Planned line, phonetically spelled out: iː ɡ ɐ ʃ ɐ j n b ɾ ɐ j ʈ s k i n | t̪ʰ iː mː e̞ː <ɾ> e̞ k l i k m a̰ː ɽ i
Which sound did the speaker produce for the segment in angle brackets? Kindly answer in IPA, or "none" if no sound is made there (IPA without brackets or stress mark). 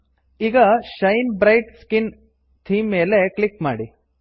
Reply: l